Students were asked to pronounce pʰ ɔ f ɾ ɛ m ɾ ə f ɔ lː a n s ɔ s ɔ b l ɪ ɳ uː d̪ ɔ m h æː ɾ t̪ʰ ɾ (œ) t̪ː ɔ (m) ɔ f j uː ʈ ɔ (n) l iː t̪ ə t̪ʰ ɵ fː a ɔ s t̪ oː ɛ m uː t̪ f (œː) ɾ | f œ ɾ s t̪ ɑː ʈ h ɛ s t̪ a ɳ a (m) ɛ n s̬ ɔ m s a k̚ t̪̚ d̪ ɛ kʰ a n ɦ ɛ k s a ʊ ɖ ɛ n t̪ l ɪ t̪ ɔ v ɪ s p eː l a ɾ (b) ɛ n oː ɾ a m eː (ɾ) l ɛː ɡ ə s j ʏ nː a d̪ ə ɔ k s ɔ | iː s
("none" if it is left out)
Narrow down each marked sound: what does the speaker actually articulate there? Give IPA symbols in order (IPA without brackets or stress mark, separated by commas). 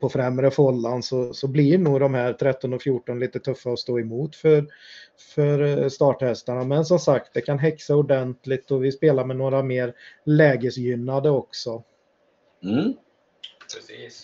ɛ, n, n, œ, m, m, ɾ